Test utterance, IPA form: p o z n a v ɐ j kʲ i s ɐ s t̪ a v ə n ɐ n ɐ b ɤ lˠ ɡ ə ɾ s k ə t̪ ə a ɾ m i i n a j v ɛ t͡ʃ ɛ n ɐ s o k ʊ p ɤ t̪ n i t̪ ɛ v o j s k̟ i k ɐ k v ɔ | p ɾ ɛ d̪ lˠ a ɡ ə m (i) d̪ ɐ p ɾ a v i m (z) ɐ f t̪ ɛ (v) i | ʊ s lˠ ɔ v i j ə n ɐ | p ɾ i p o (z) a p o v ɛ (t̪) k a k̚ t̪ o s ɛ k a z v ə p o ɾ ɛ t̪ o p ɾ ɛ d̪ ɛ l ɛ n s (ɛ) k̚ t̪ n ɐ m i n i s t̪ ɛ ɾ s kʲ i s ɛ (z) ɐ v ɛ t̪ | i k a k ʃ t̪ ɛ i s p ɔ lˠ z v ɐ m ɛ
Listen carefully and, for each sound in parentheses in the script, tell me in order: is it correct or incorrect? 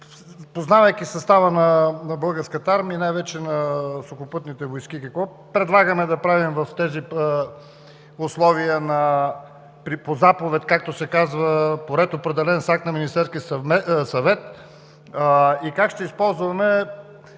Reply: incorrect, incorrect, incorrect, correct, correct, incorrect, incorrect

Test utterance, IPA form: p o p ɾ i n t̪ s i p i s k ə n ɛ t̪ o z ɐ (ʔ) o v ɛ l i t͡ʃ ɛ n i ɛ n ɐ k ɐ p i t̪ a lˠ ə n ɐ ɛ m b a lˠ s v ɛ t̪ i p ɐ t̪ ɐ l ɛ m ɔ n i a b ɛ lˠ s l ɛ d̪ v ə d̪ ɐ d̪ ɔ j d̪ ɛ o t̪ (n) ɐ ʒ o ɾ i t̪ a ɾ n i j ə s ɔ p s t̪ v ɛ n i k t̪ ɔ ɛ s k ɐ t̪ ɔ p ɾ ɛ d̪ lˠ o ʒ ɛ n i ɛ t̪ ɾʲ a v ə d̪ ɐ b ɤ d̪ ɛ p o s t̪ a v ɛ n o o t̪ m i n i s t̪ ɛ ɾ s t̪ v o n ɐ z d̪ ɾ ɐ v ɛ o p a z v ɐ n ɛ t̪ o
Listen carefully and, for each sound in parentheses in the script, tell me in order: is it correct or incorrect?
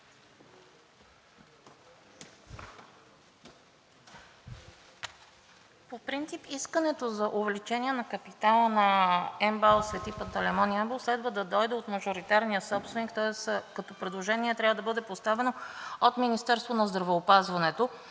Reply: correct, incorrect

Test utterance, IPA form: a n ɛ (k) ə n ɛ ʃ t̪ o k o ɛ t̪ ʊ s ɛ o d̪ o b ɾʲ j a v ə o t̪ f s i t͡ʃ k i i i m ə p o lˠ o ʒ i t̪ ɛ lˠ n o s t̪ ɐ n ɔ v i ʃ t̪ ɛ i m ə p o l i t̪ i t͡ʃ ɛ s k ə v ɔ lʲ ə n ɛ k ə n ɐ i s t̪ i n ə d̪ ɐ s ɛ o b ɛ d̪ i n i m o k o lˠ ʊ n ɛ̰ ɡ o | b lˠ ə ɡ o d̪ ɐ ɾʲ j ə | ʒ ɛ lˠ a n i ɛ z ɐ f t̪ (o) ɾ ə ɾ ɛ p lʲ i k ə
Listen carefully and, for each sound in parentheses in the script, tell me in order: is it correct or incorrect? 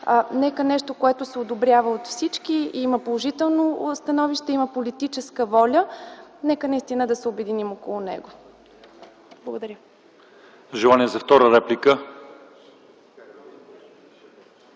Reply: correct, incorrect

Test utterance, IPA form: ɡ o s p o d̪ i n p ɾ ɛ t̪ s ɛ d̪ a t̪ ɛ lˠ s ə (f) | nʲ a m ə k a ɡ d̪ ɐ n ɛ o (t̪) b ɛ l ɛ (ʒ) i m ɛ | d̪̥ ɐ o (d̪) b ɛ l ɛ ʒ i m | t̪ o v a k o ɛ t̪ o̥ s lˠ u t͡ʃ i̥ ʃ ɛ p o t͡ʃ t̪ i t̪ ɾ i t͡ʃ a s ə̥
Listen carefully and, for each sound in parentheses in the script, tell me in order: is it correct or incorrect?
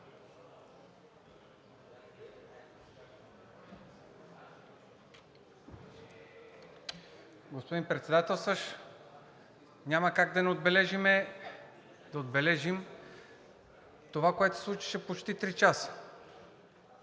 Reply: incorrect, incorrect, correct, correct

